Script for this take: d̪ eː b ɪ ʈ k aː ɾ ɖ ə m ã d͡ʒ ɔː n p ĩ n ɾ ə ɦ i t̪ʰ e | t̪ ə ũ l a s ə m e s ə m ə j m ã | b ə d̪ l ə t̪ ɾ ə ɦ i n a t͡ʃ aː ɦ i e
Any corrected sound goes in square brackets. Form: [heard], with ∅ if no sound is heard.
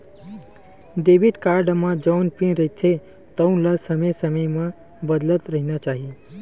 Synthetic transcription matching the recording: d̪ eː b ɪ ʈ k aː ɾ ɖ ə m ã d͡ʒ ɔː n p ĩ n ɾ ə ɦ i t̪ʰ e | t̪ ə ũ l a s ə m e s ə m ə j m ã | b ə d̪ l ə t̪ ɾ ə ɦ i n a t͡ʃ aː ɦ i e